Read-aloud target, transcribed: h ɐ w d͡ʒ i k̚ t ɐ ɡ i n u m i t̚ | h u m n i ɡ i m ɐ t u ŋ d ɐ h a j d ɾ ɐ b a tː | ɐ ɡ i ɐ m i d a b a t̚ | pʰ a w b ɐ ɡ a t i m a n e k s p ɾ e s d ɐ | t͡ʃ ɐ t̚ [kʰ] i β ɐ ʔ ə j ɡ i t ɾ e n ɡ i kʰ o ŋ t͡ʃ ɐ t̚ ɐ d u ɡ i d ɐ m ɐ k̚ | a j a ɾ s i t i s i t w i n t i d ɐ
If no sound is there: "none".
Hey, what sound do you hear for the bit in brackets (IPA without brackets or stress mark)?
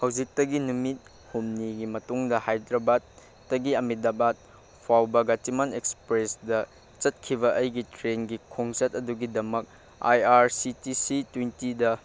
kʰ